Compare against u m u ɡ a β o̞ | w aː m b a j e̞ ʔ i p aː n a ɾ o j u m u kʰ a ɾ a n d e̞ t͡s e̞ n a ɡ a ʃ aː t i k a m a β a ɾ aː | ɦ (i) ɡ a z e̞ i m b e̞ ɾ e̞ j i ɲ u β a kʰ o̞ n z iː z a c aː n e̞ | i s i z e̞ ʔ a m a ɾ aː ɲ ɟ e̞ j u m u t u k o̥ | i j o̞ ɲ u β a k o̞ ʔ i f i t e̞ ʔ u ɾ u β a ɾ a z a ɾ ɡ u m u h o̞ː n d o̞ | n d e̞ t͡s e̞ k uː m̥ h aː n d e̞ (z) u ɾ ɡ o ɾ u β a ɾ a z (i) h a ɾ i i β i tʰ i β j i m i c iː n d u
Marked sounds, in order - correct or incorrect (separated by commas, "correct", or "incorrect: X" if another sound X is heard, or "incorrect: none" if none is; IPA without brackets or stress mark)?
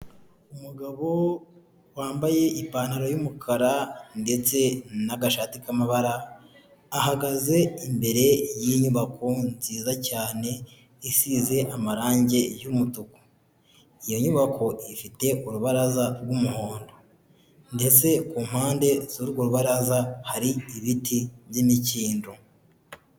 incorrect: a, correct, incorrect: a